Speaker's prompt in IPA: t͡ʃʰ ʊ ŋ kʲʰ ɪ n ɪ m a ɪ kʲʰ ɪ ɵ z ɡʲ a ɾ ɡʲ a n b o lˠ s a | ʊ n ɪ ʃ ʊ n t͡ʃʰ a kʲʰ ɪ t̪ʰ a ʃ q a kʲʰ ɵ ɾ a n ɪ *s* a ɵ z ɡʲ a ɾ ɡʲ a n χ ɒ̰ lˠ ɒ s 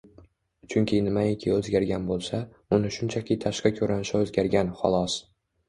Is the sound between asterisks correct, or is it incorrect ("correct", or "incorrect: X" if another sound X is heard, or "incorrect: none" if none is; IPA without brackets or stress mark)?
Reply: incorrect: ʃ